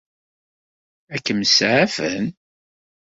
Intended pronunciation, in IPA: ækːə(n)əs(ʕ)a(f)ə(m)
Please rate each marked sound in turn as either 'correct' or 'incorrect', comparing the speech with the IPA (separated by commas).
incorrect, correct, correct, incorrect